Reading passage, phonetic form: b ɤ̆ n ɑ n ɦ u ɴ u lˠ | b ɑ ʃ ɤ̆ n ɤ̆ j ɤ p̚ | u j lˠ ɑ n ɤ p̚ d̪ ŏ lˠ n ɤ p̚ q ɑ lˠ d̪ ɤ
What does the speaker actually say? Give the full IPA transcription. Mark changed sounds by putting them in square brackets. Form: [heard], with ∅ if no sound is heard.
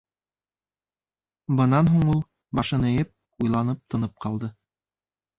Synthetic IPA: b ɤ̆ n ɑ n ɦ u ɴ u lˠ | b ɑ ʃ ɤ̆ n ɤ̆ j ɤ p̚ | u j lˠ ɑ n ɤ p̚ [t̪] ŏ [∅] n ɤ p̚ q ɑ lˠ d̪ ɤ